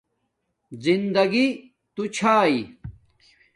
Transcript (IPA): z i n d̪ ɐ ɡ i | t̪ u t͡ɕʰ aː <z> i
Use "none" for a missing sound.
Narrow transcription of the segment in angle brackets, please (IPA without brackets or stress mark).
none